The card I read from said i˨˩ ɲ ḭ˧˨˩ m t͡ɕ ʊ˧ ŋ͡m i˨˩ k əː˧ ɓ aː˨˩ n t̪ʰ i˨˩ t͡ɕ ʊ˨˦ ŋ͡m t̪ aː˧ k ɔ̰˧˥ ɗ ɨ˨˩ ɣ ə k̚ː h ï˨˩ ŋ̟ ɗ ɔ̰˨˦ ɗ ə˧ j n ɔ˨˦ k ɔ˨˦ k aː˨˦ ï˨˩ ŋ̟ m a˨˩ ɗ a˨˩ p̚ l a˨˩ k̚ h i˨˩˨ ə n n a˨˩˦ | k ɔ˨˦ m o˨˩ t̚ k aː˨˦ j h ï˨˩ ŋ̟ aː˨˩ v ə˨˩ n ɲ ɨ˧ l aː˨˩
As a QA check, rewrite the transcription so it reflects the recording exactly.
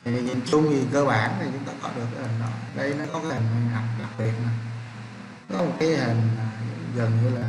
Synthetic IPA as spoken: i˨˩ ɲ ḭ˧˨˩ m t͡ɕ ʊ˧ ŋ͡m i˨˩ k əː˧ ɓ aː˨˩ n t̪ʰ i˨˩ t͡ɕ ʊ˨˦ ŋ͡m t̪ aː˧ k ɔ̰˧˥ ɗ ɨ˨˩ ə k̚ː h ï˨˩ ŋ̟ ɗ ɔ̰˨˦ ɗ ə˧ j n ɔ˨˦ k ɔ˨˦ k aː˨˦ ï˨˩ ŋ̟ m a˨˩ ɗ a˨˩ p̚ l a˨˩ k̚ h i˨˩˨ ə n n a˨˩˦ | k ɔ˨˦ m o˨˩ t̚ k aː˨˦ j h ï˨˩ ŋ̟ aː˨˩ ɣ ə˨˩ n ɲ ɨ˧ l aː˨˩